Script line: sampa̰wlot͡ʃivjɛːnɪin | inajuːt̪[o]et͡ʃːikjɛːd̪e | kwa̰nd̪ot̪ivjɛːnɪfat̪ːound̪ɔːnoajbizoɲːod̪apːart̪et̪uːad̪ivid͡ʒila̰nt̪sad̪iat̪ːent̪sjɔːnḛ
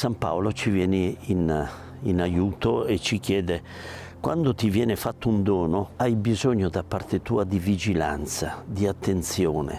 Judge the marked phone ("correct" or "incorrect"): correct